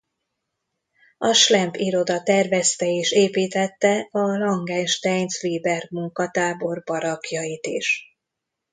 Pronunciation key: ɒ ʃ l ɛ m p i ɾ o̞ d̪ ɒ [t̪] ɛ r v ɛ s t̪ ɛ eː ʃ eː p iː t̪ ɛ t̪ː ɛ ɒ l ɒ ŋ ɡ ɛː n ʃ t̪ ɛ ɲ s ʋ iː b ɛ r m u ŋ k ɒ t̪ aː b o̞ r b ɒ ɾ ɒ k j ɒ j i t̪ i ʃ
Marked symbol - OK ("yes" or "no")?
yes